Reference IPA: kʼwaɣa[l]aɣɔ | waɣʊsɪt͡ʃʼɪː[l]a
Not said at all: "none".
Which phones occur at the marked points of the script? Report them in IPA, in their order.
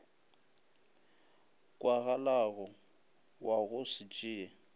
l, none

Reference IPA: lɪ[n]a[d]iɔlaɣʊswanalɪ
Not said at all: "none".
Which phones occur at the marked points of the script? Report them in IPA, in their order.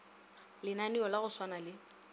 n, n

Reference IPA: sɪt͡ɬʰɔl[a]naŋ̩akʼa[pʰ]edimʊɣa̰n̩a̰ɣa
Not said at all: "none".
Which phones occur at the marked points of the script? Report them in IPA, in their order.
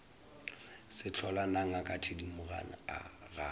a, tʰ

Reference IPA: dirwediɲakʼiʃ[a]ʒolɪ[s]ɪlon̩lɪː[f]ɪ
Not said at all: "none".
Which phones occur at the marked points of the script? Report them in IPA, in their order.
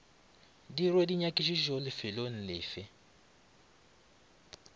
i, f, f

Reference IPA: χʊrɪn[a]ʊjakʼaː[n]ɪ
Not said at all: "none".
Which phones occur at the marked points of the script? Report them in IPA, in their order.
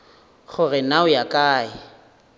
a, none

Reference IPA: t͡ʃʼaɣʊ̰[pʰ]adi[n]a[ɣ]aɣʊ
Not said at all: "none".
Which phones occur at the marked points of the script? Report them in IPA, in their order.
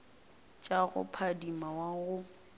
pʰ, m, w

